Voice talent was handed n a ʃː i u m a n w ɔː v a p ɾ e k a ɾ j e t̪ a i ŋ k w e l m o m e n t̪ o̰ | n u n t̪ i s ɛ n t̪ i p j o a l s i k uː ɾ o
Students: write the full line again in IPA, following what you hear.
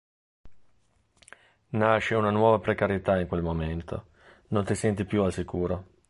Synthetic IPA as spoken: n a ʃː e u n a n w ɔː v a p ɾ e k a ɾ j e t̪ a i ŋ k w e l m o m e n t̪ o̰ | n o n t̪ i s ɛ n t̪ i p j u a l s i k uː ɾ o